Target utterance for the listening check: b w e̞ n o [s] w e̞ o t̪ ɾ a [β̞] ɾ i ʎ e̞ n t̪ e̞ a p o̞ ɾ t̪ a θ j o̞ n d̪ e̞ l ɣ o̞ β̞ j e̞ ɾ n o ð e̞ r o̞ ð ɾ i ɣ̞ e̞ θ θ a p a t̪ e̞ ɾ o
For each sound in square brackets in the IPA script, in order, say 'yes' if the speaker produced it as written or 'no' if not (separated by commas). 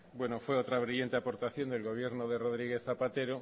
no, yes